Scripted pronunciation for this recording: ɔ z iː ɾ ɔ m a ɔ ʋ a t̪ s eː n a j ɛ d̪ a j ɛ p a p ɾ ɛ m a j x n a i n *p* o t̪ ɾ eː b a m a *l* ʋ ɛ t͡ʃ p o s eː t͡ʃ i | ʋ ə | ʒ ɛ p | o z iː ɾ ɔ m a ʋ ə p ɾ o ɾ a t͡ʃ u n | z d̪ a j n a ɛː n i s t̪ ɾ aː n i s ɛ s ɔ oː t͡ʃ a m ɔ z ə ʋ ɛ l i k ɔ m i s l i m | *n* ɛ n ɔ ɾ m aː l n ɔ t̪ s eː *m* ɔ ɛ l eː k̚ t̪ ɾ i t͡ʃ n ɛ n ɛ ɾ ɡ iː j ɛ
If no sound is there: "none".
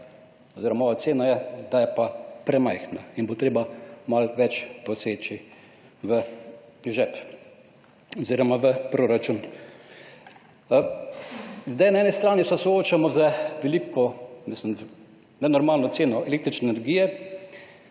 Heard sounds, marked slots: b, l, n, n

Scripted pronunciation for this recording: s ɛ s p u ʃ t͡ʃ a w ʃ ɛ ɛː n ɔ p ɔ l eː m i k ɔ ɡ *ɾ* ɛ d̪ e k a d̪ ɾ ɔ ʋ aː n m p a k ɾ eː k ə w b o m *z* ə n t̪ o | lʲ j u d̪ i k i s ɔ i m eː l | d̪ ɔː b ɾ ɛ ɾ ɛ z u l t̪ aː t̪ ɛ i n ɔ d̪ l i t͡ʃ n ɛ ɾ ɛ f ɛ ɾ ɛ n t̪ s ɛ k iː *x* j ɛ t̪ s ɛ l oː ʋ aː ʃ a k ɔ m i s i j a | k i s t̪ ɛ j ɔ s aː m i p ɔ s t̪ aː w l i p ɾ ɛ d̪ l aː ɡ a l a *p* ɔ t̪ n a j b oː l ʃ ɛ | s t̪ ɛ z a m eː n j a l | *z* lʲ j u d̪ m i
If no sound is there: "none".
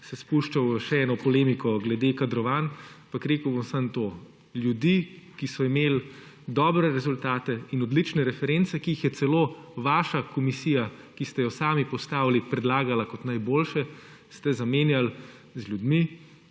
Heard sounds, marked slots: l, s, x, k, z

